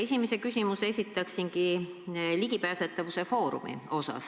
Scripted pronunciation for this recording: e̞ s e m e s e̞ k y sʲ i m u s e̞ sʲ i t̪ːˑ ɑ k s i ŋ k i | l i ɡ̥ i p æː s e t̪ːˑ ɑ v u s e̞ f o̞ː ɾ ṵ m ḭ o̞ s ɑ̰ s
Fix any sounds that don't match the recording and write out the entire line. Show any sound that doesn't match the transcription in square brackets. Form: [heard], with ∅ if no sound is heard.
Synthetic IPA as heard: e̞ s [i] m e s e̞ k y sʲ i m u s e̞ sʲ i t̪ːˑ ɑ k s i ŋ k i | l i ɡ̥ i p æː s e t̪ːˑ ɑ v u s e̞ f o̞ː ɾ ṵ m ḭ o̞ s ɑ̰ s